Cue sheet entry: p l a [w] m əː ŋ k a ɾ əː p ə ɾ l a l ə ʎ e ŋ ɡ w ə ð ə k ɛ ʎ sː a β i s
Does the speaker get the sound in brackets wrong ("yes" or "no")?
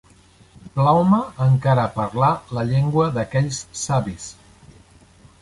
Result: no